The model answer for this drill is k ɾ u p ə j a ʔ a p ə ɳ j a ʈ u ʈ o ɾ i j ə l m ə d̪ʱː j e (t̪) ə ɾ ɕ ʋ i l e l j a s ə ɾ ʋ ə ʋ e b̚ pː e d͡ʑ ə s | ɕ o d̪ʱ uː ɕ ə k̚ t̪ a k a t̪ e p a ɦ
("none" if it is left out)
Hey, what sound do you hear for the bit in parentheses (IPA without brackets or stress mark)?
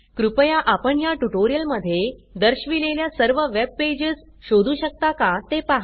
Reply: d̪